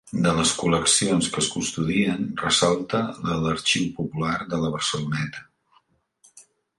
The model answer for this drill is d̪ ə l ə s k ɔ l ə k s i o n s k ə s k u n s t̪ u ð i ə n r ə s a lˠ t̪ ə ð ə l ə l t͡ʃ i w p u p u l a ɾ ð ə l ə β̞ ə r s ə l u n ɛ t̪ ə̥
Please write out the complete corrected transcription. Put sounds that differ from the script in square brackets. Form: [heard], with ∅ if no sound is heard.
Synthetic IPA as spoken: d̪ ə l ə s k [u] l ə k s i o n s k ə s k u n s t̪ u ð i ə n r ə s a lˠ t̪ ə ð ə l ə [ɾ] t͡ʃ i w p u p u l a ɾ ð ə l ə β̞ ə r s ə l u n ɛ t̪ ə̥